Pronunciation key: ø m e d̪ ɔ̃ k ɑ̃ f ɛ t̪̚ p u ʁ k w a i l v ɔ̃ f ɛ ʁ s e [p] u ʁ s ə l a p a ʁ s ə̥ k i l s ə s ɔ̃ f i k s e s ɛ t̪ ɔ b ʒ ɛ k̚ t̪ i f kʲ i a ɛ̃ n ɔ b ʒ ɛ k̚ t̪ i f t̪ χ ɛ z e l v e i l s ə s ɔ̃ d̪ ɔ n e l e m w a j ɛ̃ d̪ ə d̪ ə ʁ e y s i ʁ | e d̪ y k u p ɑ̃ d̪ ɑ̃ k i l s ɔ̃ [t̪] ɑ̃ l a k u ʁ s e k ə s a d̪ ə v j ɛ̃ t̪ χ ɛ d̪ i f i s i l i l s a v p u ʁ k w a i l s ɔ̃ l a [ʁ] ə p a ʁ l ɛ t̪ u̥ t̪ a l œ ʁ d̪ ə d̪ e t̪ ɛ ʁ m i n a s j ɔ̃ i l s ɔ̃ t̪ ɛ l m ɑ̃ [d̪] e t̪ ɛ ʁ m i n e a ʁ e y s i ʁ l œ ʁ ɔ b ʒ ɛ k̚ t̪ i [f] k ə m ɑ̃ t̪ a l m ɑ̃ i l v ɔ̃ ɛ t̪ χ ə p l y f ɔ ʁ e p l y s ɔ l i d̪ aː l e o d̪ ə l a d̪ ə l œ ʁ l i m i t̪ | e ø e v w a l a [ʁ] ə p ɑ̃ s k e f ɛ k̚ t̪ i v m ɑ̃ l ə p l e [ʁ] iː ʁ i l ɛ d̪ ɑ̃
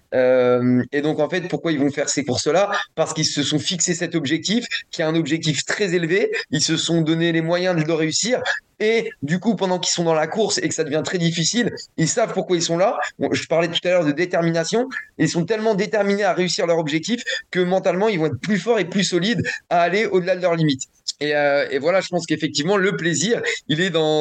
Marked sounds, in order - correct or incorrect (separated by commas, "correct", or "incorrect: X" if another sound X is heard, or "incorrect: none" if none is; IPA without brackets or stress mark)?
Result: incorrect: k, incorrect: d̪, incorrect: ʒ, correct, correct, incorrect: ʒ, incorrect: z